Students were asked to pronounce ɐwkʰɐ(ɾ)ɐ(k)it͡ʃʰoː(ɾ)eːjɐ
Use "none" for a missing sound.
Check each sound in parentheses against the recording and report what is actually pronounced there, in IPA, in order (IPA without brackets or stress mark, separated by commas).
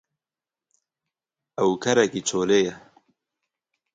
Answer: ɾ, k, l